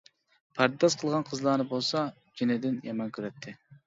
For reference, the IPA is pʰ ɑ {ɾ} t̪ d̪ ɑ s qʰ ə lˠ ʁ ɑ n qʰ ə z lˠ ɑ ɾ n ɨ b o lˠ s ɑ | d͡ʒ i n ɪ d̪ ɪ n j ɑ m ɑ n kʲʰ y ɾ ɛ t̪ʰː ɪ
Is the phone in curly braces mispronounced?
no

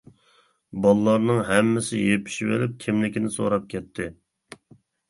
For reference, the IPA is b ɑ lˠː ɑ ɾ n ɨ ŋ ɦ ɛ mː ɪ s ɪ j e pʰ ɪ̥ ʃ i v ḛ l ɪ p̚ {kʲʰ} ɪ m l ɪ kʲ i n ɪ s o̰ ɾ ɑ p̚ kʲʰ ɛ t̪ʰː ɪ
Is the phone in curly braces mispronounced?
no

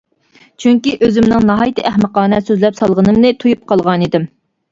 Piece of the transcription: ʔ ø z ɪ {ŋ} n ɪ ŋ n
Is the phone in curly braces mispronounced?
yes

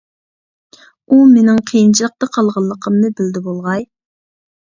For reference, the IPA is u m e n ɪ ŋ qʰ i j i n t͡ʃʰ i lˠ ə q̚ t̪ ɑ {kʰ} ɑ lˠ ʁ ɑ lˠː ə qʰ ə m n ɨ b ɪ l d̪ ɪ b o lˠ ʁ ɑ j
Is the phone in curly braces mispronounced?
yes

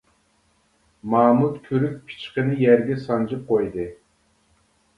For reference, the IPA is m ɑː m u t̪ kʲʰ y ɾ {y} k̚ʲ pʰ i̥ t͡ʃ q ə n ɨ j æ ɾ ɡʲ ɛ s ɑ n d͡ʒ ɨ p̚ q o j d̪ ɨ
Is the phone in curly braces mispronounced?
no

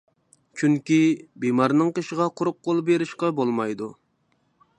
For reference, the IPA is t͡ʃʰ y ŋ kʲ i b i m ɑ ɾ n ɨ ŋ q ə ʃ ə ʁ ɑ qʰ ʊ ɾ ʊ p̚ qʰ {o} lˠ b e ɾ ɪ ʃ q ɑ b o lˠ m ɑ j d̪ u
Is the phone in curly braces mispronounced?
no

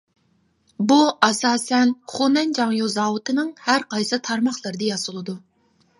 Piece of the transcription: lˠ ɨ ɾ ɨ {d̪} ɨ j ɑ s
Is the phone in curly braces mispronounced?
no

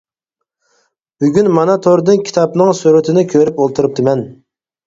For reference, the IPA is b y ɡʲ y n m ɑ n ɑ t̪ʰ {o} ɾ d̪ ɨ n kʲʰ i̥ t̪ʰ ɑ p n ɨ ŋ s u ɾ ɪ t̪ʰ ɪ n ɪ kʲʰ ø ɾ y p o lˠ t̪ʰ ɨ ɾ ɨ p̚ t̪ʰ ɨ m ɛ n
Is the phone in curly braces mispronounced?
no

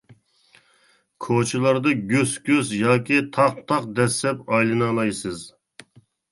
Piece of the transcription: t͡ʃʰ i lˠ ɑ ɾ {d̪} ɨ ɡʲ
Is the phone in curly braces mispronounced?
no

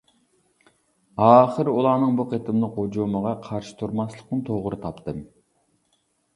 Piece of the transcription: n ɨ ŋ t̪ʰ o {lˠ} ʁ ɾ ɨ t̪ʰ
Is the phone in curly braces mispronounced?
yes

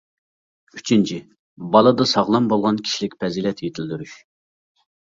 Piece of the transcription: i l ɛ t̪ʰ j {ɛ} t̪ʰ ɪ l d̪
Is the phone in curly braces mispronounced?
yes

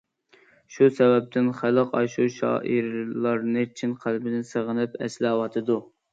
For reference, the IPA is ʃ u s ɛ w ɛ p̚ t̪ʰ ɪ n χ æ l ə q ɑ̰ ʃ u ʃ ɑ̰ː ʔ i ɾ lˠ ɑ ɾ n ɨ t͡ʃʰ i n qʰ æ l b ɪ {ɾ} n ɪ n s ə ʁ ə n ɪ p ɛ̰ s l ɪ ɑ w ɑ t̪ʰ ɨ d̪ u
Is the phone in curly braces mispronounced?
yes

